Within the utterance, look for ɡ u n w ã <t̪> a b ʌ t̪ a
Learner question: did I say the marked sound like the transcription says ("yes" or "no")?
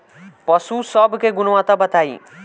yes